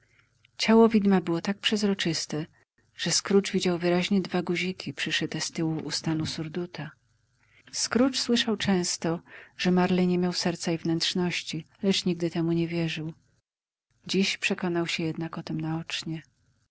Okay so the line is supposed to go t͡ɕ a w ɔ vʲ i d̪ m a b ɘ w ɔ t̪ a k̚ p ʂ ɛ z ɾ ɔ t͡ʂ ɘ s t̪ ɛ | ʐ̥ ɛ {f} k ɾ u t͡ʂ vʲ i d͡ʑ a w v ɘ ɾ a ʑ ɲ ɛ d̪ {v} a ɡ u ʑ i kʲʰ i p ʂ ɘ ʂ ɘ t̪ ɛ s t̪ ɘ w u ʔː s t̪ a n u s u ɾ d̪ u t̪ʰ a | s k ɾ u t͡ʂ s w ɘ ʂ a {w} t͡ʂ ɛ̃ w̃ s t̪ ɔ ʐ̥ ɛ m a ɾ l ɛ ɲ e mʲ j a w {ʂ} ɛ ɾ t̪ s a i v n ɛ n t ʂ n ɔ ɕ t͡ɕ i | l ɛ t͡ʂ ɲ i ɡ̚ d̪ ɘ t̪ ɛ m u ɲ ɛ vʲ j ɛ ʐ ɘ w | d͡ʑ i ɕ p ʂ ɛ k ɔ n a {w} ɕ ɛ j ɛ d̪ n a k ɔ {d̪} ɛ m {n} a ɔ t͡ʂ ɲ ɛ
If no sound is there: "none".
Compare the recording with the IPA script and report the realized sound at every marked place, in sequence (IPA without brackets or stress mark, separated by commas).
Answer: s, v, w, s, w, t̪, n